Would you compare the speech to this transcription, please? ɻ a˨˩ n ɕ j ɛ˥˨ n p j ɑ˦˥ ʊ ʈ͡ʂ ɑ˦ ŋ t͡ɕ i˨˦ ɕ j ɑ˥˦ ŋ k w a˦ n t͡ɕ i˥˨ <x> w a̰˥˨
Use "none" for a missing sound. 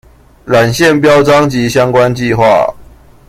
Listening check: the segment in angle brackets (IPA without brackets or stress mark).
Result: x